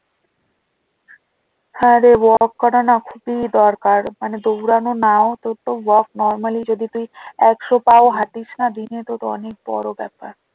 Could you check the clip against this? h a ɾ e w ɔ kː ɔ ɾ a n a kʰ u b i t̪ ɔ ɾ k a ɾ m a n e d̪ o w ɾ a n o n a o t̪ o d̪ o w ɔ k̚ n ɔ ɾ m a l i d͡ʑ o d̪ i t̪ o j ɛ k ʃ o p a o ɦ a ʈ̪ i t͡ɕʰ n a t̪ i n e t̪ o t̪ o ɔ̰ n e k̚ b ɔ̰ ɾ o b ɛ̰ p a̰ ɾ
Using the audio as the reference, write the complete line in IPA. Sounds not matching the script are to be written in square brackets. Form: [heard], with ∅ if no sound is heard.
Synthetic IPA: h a ɾ e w ɔ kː ɔ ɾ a n a kʰ u b i [d̪] ɔ ɾ k a ɾ m a n e d̪ o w ɾ a n o n a o t̪ o [t̪] o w ɔ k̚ n ɔ ɾ m a l i d͡ʑ o d̪ i t̪ [u] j ɛ k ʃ o p a o ɦ a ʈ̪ i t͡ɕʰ n a [d̪] i n e t̪ o t̪ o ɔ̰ n e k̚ b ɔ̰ ɾ o b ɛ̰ p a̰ ɾ